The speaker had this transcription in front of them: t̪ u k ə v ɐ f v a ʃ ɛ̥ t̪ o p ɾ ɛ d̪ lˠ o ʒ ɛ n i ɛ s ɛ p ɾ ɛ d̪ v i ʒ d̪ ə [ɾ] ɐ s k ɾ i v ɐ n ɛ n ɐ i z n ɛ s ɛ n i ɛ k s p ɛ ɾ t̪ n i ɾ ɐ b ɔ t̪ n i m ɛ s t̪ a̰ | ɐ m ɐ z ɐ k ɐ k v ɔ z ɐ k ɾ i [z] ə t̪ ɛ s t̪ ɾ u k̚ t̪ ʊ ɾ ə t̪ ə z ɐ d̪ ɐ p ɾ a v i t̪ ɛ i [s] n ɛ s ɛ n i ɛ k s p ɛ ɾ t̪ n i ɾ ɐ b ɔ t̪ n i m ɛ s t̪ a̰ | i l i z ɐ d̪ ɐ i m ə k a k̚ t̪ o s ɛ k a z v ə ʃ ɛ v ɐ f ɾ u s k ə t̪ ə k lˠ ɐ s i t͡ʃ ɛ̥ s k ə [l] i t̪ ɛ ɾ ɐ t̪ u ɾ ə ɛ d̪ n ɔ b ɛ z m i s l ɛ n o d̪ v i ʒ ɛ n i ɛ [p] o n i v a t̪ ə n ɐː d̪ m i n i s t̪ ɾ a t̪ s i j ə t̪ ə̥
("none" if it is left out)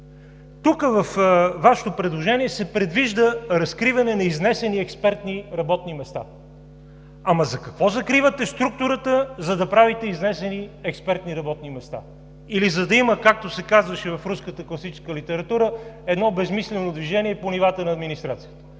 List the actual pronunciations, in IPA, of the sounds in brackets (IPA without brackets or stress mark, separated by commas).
ɾ, v, z, l, p